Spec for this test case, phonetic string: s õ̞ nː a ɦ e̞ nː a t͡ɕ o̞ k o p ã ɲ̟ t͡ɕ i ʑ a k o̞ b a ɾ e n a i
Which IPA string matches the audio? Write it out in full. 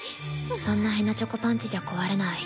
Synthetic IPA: s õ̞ nː a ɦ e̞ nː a t͡ɕ o̞ k o p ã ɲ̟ t͡ɕ i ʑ a k o̞ β a ɾ e n a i